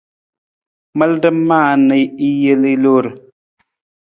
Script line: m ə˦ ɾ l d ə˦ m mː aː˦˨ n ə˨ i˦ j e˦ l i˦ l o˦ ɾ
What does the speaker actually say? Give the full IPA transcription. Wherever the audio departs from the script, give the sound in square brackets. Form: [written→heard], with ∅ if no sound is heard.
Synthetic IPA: m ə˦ [ɾ→∅] l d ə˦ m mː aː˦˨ n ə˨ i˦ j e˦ l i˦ l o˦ ɾ